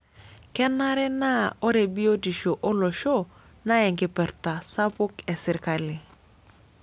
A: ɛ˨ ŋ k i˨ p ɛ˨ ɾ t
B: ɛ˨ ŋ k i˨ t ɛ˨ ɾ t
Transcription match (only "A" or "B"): A